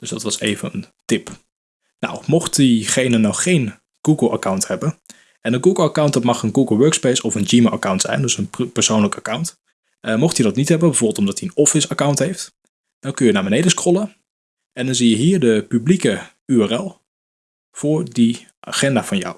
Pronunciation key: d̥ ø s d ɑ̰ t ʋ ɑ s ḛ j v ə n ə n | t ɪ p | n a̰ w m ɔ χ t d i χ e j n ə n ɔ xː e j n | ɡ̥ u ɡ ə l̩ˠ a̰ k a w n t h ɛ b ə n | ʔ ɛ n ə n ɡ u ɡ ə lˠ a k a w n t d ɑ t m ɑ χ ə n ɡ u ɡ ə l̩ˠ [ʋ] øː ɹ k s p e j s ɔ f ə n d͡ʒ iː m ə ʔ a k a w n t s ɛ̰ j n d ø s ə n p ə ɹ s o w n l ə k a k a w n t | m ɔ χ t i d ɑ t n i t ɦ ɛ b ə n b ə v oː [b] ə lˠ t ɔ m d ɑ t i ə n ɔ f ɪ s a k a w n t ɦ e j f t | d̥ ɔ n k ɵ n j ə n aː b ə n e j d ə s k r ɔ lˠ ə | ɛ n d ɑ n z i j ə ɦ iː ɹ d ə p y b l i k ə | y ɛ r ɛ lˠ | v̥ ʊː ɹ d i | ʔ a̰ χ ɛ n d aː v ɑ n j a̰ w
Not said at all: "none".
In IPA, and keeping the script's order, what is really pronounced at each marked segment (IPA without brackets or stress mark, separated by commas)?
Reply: ʋ, b